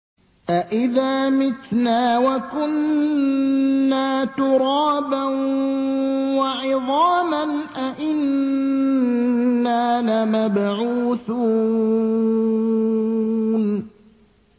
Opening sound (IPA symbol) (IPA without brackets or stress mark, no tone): ʔ